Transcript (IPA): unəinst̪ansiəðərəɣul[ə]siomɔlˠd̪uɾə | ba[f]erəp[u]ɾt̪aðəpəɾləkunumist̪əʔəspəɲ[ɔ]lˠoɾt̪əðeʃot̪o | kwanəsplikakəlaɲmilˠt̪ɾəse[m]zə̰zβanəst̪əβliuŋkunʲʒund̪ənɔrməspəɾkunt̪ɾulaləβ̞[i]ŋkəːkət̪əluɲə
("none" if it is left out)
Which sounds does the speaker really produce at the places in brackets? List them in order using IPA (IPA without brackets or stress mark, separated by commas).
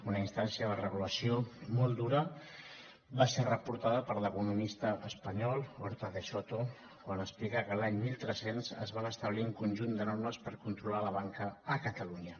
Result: ə, s, u, ɔ, n, a